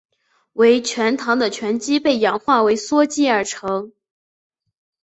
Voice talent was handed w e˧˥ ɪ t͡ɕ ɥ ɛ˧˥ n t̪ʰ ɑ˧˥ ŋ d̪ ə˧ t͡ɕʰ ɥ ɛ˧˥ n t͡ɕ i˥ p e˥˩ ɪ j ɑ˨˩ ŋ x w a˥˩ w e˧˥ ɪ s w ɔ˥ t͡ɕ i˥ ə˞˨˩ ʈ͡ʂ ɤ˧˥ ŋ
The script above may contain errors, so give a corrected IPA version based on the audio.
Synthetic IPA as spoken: w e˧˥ ɪ t͡ɕʰ ɥ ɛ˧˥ n t̪ʰ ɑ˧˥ ŋ d̪ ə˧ t͡ɕʰ ɥ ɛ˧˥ n t͡ɕ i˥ p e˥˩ ɪ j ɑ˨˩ ŋ x w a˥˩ w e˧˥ ɪ s w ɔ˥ t͡ɕ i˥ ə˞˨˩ ʈ͡ʂʰ ɤ˧˥ ŋ